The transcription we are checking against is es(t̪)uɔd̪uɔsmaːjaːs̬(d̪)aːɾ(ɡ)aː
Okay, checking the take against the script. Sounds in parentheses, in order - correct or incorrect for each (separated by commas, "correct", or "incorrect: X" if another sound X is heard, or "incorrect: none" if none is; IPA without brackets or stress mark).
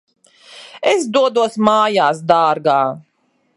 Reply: incorrect: d̪, correct, correct